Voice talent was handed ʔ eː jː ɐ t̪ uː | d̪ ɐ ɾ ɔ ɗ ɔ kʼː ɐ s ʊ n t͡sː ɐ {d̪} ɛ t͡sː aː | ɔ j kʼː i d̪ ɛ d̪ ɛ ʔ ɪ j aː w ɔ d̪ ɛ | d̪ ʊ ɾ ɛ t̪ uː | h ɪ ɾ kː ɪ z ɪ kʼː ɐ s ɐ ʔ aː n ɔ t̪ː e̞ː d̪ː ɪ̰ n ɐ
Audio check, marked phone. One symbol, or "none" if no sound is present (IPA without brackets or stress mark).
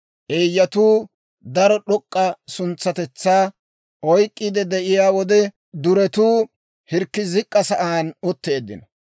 t̪